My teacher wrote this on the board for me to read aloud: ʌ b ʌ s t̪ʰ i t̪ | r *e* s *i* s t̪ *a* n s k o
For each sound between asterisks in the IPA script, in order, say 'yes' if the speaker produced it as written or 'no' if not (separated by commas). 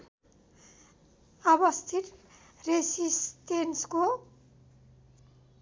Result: yes, yes, no